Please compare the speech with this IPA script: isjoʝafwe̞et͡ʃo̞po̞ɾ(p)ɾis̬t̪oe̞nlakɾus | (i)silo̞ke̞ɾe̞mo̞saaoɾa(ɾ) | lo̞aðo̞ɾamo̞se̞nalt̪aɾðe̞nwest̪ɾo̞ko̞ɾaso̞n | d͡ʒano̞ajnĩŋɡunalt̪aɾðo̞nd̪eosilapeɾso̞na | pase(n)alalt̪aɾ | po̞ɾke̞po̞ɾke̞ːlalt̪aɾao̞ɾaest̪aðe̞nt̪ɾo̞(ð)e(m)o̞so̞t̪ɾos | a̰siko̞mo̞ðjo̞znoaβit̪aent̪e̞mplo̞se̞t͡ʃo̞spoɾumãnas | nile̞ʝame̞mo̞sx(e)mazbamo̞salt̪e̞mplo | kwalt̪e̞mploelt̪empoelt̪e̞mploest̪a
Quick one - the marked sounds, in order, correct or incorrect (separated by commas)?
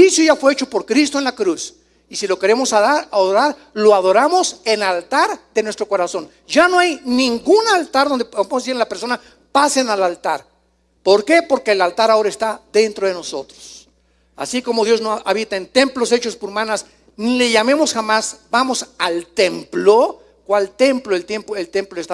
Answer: incorrect, correct, correct, correct, correct, incorrect, incorrect